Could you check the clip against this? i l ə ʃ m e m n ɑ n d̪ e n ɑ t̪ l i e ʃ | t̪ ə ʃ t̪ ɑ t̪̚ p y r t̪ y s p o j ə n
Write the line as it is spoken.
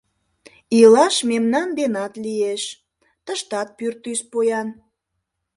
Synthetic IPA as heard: i l ɑ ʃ m e m n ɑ n d̪ e n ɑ t̪ l i e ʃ | t̪ ə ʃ t̪ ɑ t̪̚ p y r t̪ y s p o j ɑ n